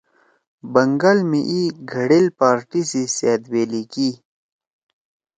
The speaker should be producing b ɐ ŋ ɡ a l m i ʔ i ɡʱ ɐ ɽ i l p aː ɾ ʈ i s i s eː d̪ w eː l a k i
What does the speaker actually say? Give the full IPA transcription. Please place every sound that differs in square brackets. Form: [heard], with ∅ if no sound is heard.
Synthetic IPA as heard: b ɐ ŋ ɡ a l m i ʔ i ɡʱ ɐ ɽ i l p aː ɾ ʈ i s i s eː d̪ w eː l [i] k i